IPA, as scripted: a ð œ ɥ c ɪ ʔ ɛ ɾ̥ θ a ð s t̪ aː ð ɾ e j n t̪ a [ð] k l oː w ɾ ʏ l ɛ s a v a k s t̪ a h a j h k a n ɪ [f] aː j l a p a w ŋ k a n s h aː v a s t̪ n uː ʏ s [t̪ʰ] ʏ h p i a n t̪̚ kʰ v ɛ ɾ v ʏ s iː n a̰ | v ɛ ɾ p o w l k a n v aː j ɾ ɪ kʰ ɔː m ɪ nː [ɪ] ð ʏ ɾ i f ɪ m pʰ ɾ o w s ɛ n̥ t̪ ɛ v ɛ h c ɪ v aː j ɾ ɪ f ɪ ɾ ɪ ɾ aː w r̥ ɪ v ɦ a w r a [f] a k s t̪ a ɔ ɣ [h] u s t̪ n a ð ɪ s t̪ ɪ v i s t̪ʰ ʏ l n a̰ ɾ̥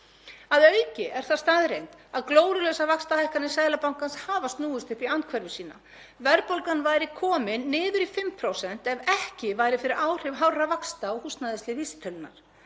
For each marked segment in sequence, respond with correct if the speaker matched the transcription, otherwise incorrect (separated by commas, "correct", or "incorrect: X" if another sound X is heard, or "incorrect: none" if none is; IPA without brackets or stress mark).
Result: correct, incorrect: s, incorrect: t̪, incorrect: ɪː, incorrect: v, correct